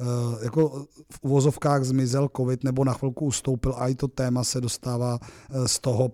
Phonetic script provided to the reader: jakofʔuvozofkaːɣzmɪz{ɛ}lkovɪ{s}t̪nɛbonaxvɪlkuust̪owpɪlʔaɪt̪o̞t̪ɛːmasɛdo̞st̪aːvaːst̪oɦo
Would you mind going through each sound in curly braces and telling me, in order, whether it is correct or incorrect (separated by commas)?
correct, incorrect